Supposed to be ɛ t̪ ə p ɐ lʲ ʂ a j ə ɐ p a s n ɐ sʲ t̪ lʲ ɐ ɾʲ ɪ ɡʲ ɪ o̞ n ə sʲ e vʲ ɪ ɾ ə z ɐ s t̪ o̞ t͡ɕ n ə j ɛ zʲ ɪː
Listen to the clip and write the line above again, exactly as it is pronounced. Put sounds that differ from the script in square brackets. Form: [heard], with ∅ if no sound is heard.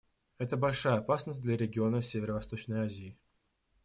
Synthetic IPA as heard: ɛ t̪ ə [b] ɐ lʲ ʂ a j ə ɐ p a s n [ə] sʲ [d̪] lʲ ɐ ɾʲ ɪ ɡʲ ɪ o̞ n ə sʲ e vʲ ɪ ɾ ə [v] ɐ s t̪ o̞ t͡ɕ n ə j [a] zʲ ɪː